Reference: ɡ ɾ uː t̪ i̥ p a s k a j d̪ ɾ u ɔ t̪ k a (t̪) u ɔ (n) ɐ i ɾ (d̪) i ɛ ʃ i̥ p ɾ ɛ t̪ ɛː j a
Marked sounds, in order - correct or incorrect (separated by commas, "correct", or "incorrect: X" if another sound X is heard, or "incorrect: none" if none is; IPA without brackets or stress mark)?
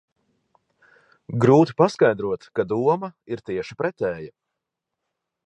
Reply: incorrect: d̪, incorrect: m, incorrect: t̪